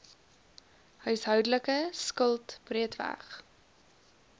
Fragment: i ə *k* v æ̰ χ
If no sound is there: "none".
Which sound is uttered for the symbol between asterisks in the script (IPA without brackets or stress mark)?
t